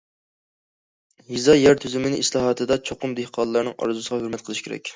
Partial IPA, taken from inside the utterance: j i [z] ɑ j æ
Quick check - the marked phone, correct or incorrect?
correct